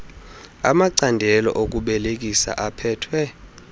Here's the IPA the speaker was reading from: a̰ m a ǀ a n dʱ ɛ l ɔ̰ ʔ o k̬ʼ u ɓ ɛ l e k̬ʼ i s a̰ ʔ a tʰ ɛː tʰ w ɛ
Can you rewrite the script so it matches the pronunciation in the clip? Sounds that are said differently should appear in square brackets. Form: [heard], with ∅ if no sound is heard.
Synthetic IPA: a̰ m a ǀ a n dʱ ɛ l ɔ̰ ʔ o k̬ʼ u ɓ ɛ l e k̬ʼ i s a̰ ʔ a [pʰ] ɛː tʰ w ɛ